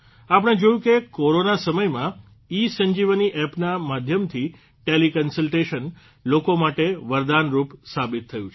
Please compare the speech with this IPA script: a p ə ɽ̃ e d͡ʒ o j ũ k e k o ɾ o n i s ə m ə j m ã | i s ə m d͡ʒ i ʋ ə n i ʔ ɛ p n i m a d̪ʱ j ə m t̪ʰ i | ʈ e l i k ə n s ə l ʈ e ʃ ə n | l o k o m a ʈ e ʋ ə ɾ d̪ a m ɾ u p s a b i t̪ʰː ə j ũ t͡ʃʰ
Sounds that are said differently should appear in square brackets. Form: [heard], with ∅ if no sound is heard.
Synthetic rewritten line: a p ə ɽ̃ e d͡ʒ o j ũ k e k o ɾ o n [a] s ə m ə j m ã | i s ə [ɲ] d͡ʒ i ʋ ə n i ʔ ɛ p n [a] m a d̪ʱ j ə m t̪ʰ i | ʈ e l i k ə n s ə l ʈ e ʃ ə n | l o k o m a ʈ e ʋ ə ɾ d̪ a [n] ɾ u p s a b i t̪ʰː ə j ũ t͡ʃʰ

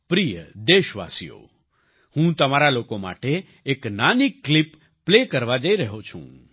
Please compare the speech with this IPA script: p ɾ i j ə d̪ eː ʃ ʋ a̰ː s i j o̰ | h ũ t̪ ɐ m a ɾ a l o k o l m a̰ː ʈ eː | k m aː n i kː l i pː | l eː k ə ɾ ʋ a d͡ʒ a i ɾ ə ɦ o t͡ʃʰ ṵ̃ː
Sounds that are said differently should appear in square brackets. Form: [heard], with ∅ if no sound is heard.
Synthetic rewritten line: p ɾ i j ə d̪ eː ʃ ʋ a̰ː s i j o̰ | h ũ t̪ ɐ m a ɾ a l o k o [∅] m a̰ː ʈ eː | k [n] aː n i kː l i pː | l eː k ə ɾ ʋ a d͡ʒ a i ɾ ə ɦ o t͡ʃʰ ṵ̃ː

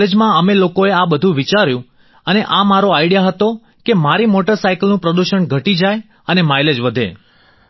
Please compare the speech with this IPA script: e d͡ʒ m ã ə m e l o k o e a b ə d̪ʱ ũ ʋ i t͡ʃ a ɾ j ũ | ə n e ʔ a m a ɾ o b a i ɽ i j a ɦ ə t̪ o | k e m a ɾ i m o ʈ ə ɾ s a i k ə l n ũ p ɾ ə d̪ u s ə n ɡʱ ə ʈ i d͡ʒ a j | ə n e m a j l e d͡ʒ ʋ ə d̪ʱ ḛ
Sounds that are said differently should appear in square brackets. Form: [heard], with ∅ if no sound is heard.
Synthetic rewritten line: e d͡ʒ m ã ə m e l o k o e a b ə d̪ʱ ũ ʋ i t͡ʃ a ɾ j ũ | ə n e ʔ a m a ɾ o [∅] a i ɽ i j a ɦ ə t̪ o | k e m a ɾ i m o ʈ ə ɾ s a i k ə l n ũ p ɾ ə d̪ u [ʃ] ə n ɡʱ ə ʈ i d͡ʒ a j | ə n e m a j l e d͡ʒ ʋ ə d̪ʱ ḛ

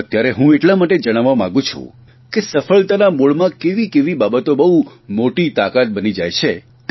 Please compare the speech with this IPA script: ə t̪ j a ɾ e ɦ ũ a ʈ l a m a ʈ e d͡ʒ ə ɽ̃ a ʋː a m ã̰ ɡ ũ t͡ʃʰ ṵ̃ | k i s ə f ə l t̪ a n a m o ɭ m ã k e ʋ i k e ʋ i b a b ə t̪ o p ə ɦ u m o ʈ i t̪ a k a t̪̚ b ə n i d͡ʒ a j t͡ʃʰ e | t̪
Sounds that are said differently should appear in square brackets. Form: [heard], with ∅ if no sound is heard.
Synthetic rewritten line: ə t̪ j a ɾ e ɦ ũ [e] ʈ l a m a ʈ e d͡ʒ ə ɽ̃ a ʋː a m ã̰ ɡ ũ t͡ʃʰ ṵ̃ | k [e] s ə f ə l t̪ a n a m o ɭ m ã k e ʋ i k e ʋ i b a b ə t̪ o [b] ə ɦ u m o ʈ i t̪ a k a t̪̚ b ə n i d͡ʒ a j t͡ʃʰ e | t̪

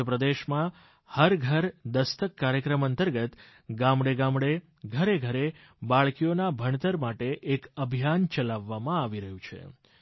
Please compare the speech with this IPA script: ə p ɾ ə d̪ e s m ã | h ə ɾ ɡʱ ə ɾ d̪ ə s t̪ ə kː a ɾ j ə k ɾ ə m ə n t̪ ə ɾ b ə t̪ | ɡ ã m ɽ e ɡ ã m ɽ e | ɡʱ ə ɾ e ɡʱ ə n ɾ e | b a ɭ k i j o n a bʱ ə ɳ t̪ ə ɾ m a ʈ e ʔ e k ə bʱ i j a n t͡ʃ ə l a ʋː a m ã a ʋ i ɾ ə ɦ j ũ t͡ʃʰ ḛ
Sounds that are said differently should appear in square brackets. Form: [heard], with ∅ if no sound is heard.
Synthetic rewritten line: ə p ɾ ə d̪ e [ʃ] m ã | h ə ɾ ɡʱ ə ɾ d̪ ə s t̪ ə kː a ɾ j ə k ɾ ə m ə n t̪ ə ɾ [ɡ] ə t̪ | ɡ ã m ɽ e ɡ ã m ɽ e | ɡʱ ə ɾ e ɡʱ ə [∅] ɾ e | b a ɭ k i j o n a bʱ ə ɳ t̪ ə ɾ m a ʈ e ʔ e k ə bʱ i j a n t͡ʃ ə l a ʋː a m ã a ʋ i ɾ ə ɦ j ũ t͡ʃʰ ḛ

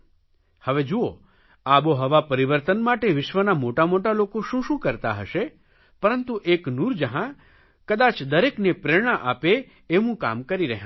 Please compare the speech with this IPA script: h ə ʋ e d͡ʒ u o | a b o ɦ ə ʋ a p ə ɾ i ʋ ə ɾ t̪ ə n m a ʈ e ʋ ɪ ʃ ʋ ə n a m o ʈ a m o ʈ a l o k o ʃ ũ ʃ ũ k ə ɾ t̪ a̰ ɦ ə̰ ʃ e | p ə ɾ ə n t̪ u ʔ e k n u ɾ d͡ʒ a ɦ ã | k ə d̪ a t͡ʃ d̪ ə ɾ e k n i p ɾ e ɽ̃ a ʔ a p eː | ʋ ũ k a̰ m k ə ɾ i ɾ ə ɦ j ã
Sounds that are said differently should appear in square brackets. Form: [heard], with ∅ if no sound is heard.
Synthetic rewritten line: h ə ʋ e d͡ʒ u o | a b o ɦ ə ʋ a p ə ɾ i ʋ ə ɾ t̪ ə n m a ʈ e ʋ ɪ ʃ ʋ ə n a m o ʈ a m o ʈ a l o k o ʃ ũ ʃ ũ k ə ɾ t̪ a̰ ɦ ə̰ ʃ e | p ə ɾ ə n t̪ u ʔ e k n u ɾ d͡ʒ [ə] ɦ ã | k ə d̪ a t͡ʃ d̪ ə ɾ e k n [e] p ɾ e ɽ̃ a ʔ a p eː | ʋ ũ k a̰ m k ə ɾ i ɾ ə ɦ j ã

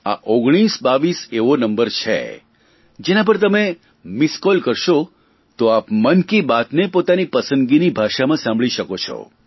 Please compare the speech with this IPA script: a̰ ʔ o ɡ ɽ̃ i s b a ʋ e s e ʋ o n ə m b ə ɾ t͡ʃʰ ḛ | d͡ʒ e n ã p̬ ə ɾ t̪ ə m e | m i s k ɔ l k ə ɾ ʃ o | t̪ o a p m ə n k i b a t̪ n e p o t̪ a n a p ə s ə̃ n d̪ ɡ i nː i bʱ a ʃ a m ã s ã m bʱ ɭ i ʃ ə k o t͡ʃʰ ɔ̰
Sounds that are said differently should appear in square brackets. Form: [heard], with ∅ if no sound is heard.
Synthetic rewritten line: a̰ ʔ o ɡ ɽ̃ i s b a ʋ [i] s e ʋ o n ə m b ə ɾ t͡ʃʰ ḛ | d͡ʒ e n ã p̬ ə ɾ t̪ ə m e | m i s k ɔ l k ə ɾ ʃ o | t̪ o a p m ə n k i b a t̪ n e p o t̪ a n [i] p ə s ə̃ n d̪ ɡ i [n] i bʱ a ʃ a m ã s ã m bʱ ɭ i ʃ ə k o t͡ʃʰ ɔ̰

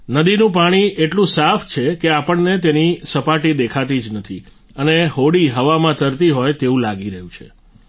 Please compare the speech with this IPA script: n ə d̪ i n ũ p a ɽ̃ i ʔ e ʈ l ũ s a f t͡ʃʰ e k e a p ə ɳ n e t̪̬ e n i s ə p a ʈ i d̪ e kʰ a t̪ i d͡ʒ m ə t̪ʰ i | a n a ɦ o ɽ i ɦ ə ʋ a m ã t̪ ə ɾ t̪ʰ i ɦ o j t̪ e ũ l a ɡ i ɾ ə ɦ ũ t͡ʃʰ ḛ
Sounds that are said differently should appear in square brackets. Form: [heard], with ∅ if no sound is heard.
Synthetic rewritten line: n ə d̪ i n ũ p a ɽ̃ i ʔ e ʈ l ũ s a f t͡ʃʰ e k e a p ə ɳ n e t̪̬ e n i s ə p a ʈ i d̪ e kʰ a t̪ i d͡ʒ [n] ə t̪ʰ i | [ə] n [e] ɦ o ɽ i ɦ ə ʋ a m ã t̪ ə ɾ [t̪] i ɦ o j t̪ e ũ l a ɡ i ɾ ə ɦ ũ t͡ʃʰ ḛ

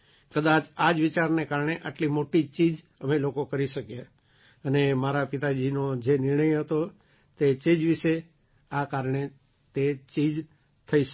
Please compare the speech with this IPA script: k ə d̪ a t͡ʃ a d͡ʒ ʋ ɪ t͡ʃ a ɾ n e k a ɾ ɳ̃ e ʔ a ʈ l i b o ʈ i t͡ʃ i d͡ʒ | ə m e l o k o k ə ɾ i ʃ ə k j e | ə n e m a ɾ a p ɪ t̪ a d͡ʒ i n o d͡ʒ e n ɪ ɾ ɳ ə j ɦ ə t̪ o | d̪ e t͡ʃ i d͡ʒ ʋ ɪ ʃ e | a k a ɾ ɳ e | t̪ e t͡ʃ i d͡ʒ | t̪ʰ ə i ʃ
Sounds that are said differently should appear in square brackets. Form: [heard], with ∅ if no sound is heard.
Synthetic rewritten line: k ə d̪ a t͡ʃ a d͡ʒ ʋ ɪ t͡ʃ a ɾ n e k a ɾ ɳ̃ e ʔ a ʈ l i [m] o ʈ i t͡ʃ i d͡ʒ | ə m e l o k o k ə ɾ i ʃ ə k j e | ə n e m a ɾ a p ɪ t̪ a d͡ʒ i n o d͡ʒ e n ɪ ɾ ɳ ə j ɦ ə t̪ o | [t̪] e t͡ʃ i d͡ʒ ʋ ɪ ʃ e | a k a ɾ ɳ e | t̪ e t͡ʃ i d͡ʒ | t̪ʰ ə i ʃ

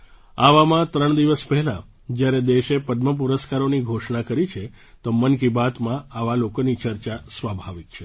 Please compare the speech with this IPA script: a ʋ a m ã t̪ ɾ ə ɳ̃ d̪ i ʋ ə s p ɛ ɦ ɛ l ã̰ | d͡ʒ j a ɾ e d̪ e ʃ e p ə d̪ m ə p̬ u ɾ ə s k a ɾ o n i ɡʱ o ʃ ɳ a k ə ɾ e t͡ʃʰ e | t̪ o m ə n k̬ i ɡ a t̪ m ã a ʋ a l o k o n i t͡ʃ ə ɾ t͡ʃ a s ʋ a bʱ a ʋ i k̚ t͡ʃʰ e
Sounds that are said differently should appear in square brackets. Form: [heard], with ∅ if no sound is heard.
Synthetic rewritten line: a ʋ a m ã t̪ ɾ ə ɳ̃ d̪ i ʋ ə s p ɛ ɦ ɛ l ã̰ | d͡ʒ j a ɾ e d̪ e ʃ e p ə d̪ m ə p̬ u ɾ ə s k a ɾ o n i ɡʱ o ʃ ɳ a k ə ɾ [i] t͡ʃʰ e | t̪ o m ə n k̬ i [b] a t̪ m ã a ʋ a l o k o n i t͡ʃ ə ɾ t͡ʃ a s ʋ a bʱ a ʋ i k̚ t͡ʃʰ e

